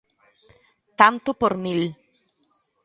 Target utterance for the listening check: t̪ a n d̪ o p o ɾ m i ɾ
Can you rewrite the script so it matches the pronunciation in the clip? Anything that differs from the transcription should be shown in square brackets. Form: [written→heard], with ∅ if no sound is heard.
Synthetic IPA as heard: t̪ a n [d̪→t̪] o p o ɾ m i [ɾ→l]